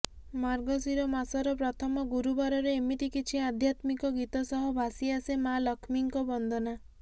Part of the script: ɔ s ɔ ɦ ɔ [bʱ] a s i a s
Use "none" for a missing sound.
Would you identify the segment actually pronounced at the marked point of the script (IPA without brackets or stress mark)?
bʱ